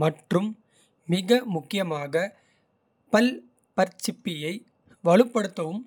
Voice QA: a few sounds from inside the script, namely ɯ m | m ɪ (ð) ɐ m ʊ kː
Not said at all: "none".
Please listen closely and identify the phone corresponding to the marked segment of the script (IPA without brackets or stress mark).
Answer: ɣ